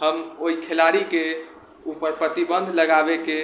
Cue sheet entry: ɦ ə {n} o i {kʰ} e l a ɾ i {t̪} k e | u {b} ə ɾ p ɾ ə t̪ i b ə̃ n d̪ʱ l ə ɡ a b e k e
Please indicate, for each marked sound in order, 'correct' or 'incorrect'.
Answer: incorrect, correct, incorrect, incorrect

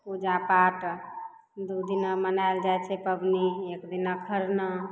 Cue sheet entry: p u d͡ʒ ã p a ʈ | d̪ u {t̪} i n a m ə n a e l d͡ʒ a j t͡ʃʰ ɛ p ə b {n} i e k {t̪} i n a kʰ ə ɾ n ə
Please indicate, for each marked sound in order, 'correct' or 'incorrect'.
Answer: incorrect, correct, incorrect

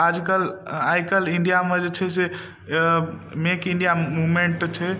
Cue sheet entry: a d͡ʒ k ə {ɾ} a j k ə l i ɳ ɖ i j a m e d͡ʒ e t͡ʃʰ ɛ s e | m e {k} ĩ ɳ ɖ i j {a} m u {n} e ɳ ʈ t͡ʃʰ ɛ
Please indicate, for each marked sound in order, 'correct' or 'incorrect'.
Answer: incorrect, correct, correct, incorrect

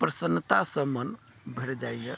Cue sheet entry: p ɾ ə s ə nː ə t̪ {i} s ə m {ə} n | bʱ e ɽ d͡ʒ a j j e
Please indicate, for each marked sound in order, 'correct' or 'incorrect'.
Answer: incorrect, correct

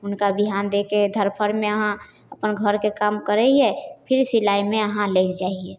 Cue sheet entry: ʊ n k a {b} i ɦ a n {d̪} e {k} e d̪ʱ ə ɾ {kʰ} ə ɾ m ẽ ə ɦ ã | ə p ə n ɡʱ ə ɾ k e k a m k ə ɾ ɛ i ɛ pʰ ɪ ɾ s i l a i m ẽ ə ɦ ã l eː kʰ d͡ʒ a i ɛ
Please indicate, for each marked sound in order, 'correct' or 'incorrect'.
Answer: correct, correct, correct, incorrect

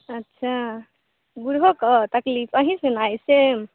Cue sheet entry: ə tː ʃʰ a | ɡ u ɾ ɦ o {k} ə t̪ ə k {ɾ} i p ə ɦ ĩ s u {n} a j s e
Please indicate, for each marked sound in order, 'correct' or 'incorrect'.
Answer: correct, incorrect, correct

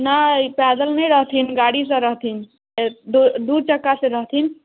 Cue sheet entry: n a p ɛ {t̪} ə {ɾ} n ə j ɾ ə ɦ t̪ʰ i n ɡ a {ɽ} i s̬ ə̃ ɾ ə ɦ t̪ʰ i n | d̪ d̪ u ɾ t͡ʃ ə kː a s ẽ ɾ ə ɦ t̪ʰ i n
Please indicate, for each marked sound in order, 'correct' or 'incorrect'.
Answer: incorrect, incorrect, correct

